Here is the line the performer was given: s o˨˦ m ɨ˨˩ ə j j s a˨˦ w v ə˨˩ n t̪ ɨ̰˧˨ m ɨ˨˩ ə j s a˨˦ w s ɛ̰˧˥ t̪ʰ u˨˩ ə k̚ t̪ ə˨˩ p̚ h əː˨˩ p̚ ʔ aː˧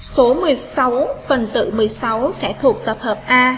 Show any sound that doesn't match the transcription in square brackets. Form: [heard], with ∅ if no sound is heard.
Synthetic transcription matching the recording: s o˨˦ m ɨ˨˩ ə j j s a˨˦ w [f] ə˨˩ n t̪ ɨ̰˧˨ m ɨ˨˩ ə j s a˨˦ w s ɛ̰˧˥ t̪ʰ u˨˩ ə k̚ t̪ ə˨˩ p̚ h əː˨˩ p̚ ʔ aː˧